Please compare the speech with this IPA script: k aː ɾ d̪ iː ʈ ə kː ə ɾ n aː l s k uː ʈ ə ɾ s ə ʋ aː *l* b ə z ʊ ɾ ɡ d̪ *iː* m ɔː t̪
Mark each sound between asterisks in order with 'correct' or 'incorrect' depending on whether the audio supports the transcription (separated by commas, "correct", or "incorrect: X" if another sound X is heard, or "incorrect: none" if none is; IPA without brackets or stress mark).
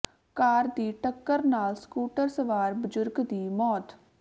incorrect: ɾ, correct